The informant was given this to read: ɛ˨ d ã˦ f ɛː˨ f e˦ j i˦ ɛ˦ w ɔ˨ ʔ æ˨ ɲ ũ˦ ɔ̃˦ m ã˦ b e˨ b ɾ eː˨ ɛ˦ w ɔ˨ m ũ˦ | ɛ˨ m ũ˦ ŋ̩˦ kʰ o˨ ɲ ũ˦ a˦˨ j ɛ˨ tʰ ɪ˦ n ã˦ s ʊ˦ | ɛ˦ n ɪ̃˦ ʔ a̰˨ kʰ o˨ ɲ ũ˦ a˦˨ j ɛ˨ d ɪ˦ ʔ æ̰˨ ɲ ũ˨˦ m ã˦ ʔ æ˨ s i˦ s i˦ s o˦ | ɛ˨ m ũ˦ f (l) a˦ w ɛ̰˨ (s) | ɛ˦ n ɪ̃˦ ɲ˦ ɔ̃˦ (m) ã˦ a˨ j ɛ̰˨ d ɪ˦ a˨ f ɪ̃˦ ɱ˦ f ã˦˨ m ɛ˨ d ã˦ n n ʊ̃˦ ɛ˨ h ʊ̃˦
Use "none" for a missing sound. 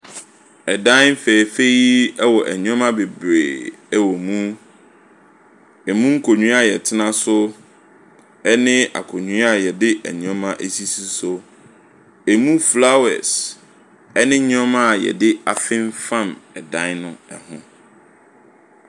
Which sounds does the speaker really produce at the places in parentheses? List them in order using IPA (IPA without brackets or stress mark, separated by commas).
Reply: l, s, m